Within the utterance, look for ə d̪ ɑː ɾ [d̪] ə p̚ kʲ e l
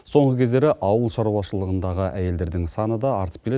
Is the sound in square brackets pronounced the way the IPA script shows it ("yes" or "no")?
no